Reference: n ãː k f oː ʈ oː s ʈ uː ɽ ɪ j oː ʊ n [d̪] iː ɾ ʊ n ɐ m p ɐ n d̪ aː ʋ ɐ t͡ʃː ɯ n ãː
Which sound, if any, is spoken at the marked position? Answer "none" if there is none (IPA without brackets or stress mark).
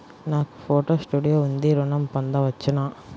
d̪